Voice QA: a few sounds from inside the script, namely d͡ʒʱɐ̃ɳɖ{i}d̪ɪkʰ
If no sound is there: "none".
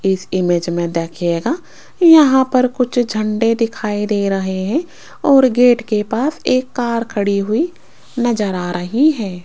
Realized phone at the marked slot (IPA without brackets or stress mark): e